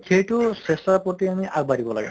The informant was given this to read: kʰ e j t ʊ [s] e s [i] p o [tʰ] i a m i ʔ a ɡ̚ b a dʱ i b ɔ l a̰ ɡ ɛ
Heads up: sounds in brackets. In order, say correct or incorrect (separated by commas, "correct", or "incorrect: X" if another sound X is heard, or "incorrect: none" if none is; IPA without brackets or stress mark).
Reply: correct, incorrect: a, incorrect: t